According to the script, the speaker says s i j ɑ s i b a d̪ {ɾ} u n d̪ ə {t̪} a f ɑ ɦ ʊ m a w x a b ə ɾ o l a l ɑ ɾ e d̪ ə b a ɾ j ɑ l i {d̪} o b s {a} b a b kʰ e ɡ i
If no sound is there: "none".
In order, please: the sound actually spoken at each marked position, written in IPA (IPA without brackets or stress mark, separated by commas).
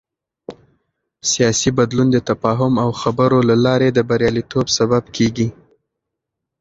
l, t̪, t̪, a